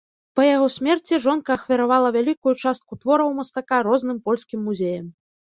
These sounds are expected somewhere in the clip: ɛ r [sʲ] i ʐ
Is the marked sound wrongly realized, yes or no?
yes